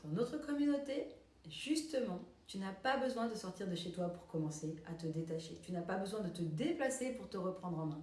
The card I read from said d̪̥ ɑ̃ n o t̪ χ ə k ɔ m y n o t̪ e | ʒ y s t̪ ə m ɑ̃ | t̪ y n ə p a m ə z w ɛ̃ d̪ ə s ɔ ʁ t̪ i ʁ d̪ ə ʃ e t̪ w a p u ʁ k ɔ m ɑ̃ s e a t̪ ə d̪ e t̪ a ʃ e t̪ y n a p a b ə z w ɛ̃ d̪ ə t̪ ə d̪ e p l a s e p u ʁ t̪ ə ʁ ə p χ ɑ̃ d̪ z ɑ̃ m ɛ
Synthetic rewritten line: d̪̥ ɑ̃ n o t̪ χ ə k ɔ m y n o t̪ e | ʒ y s t̪ ə m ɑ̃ | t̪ y n a p a b ə z w ɛ̃ d̪ ə s ɔ ʁ t̪ i ʁ d̪ ə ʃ e t̪ w a p u ʁ k ɔ m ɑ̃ s e a t̪ ə d̪ e t̪ a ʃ e t̪ y n a p a b ə z w ɛ̃ d̪ ə t̪ ə d̪ e p l a s e p u ʁ t̪ ə ʁ ə p χ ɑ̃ d̪ ʁ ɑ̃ m ɛ̃